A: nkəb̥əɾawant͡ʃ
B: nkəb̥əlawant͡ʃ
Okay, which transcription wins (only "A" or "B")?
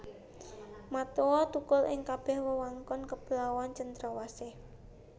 B